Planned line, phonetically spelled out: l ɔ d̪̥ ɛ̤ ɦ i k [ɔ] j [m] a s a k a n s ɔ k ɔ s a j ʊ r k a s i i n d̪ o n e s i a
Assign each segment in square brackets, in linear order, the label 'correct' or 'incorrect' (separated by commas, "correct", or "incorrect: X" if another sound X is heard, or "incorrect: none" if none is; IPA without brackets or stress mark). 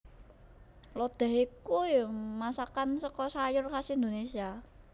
incorrect: u, correct